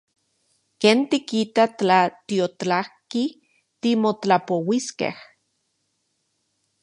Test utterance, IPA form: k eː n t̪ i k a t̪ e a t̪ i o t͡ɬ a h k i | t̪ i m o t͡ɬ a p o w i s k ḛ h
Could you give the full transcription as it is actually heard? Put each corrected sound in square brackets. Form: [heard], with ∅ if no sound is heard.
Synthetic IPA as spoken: k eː n t̪ i k [i] t̪ [a] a t̪ i o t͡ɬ a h k i | t̪ i m o t͡ɬ a p o w i s k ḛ h

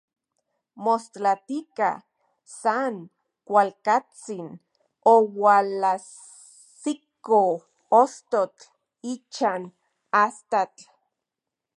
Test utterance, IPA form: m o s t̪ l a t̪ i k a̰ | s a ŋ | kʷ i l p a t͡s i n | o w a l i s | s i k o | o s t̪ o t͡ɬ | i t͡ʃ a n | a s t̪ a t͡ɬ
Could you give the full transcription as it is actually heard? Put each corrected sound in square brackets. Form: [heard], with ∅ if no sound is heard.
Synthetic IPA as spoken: m o s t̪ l a t̪ i k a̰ | s a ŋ | kʷ [a] l [k] a t͡s i n | o w a l [a] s | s i k o | o s t̪ o t͡ɬ | i t͡ʃ a n | a s t̪ a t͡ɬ

